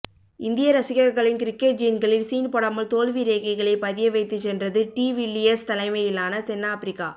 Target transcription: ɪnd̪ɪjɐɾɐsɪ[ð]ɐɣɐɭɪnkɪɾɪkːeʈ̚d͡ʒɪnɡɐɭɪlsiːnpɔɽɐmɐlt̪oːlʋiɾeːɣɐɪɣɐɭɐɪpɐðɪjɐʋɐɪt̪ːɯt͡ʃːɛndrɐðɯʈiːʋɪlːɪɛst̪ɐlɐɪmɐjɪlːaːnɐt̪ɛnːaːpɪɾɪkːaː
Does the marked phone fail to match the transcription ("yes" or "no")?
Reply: yes